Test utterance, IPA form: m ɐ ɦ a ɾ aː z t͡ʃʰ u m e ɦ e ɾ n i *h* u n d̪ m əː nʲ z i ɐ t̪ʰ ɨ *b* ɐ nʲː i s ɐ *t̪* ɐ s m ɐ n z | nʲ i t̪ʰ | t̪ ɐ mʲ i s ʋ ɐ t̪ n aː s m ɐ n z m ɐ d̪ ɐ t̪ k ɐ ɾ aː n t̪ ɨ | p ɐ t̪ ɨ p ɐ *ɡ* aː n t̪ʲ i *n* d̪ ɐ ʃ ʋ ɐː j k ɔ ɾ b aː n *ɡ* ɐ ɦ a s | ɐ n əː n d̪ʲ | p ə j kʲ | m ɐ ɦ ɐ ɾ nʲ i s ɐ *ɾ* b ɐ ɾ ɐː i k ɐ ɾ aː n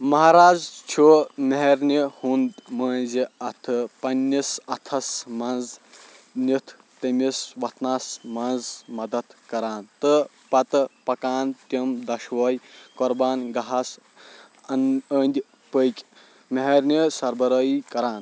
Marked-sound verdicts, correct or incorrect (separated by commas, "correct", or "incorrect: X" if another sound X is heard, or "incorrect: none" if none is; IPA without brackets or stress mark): correct, incorrect: p, incorrect: t̪ʰ, incorrect: k, incorrect: m, correct, correct